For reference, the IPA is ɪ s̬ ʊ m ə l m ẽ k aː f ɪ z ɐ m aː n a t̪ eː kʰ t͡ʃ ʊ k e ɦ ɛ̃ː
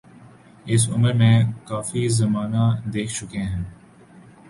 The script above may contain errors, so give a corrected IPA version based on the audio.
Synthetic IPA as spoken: ɪ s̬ ʊ m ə ɾ m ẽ k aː f i z ɐ m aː n a d̪ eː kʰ t͡ʃ ʊ k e ɦ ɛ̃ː